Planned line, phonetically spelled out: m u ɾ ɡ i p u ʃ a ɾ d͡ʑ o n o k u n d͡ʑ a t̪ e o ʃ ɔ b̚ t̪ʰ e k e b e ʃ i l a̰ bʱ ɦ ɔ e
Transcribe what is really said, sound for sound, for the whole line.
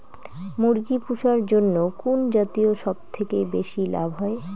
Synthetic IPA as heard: m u ɾ ɡ i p u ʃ a ɾ d͡ʑ o nː o k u n d͡ʑ a t̪ i o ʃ ɔ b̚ t̪ʰ e k e b e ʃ i l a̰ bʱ ɦ ɔ e